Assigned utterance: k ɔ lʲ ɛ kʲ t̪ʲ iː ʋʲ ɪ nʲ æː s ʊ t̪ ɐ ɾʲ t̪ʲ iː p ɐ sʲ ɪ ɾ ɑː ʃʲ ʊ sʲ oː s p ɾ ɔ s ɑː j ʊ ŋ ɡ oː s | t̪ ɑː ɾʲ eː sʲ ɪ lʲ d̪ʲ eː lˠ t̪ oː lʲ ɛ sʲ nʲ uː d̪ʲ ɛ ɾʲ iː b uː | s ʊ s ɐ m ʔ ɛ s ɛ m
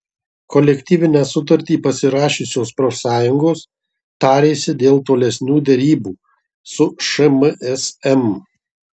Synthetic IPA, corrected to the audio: k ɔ lʲ ɛ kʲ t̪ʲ iː ʋʲ ɪ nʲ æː s ʊ t̪ ɐ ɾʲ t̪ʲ iː p ɐ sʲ ɪ ɾ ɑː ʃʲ ʊ sʲ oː s p ɾ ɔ s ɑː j ʊ ŋ ɡ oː s | t̪ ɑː ɾʲ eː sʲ ɪ d̪ʲ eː lˠ t̪ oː lʲ ɛ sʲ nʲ uː d̪ʲ ɛ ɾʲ iː b uː | s ʊ ʃ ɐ m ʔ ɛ s ɛ m